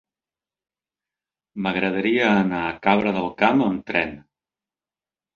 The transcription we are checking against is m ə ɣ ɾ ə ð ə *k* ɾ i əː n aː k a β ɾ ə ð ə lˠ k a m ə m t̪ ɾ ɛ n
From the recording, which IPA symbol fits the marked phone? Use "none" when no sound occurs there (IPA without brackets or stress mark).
none